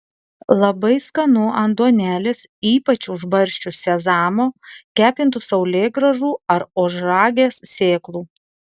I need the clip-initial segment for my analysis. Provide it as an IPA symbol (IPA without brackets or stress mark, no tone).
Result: lˠ